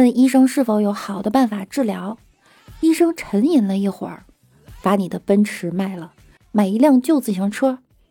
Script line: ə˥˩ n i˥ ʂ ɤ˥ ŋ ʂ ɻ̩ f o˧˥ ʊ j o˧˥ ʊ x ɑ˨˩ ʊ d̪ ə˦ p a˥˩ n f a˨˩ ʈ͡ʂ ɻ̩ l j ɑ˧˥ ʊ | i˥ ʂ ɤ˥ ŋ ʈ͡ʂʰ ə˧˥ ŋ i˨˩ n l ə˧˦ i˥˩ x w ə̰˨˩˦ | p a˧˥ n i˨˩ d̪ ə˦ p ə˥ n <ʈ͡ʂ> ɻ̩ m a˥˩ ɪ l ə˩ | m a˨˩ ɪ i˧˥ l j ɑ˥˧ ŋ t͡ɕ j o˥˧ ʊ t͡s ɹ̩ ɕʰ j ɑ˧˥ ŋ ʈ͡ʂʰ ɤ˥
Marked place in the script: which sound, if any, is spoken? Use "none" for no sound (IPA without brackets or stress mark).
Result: ʈ͡ʂʰ